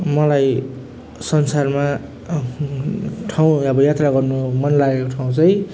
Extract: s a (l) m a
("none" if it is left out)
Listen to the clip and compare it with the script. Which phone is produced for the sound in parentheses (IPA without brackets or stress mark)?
r